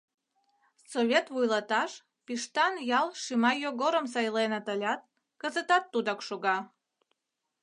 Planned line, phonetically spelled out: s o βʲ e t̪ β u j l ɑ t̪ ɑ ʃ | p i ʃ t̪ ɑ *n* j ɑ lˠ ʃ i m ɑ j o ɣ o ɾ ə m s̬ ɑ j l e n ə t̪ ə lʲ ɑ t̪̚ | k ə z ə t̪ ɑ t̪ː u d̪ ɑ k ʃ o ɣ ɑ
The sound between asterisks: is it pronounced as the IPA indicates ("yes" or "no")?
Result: yes